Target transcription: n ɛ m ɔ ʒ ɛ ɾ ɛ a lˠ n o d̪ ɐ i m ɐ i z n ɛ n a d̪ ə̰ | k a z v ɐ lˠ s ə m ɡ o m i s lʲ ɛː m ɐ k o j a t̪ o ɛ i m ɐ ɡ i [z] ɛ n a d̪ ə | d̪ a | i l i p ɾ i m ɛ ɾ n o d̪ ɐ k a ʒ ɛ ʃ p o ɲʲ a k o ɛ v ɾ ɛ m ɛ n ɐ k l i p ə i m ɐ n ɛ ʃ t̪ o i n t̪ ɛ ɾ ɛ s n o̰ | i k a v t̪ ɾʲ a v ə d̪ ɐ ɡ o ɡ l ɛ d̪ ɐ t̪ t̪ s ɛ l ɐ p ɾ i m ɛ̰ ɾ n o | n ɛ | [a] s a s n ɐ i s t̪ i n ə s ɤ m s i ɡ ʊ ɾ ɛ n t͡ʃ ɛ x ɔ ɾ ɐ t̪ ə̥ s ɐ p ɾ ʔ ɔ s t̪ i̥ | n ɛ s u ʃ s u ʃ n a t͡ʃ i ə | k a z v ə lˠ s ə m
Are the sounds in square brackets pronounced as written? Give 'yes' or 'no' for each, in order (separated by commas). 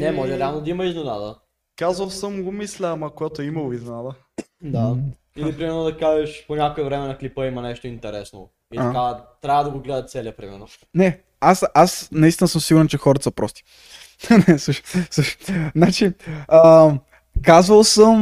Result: yes, yes